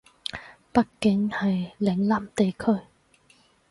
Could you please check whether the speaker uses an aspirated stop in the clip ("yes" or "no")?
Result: yes